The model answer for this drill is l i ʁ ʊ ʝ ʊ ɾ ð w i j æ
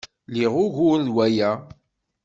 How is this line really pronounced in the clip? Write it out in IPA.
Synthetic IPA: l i ʁ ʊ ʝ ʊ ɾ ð w æ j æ